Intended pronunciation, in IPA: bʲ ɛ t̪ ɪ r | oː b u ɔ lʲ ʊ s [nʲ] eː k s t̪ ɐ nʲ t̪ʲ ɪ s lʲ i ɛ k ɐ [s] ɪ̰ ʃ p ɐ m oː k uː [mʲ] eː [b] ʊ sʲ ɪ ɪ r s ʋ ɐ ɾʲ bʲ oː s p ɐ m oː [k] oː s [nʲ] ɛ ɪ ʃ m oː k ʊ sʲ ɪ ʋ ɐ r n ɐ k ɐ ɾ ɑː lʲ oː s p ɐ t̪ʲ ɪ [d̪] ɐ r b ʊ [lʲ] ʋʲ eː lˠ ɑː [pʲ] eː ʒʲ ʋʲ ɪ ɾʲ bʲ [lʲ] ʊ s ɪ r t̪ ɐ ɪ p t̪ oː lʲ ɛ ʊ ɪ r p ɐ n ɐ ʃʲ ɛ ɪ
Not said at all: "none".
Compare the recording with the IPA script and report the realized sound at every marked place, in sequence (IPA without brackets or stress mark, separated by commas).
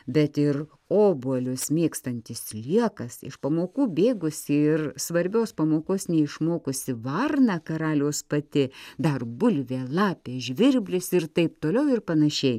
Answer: mʲ, s, bʲ, ɡ, k, nʲ, d̪, lʲ, pʲ, lʲ